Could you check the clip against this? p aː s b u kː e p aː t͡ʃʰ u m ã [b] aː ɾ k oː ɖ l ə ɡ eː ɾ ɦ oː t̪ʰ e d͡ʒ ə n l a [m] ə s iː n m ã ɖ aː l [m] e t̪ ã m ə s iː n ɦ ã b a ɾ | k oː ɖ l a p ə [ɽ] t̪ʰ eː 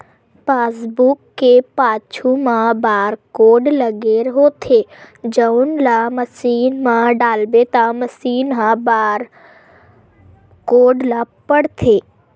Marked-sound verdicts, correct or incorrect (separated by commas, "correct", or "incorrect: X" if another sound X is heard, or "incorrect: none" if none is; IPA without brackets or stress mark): correct, correct, incorrect: b, correct